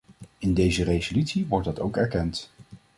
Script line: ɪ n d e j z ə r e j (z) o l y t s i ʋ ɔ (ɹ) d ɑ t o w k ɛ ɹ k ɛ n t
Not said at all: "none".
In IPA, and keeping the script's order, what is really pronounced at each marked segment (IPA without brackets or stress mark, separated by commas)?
z, ɹ